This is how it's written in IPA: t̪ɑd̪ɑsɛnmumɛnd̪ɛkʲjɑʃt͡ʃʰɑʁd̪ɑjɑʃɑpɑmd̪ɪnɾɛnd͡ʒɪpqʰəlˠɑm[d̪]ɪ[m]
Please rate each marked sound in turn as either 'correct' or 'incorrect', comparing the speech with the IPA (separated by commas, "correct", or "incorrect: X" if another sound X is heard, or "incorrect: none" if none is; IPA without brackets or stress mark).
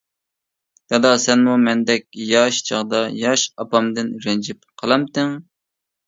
incorrect: t̪, incorrect: ŋ